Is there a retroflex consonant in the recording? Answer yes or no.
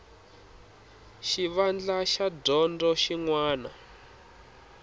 no